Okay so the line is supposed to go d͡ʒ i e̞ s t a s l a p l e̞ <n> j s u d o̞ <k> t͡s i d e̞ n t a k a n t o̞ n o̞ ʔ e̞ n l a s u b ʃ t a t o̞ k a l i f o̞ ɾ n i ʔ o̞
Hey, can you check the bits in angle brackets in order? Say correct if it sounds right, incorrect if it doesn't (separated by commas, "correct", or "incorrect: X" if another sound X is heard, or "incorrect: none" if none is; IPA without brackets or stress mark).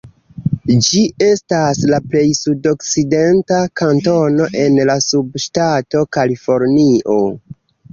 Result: incorrect: none, correct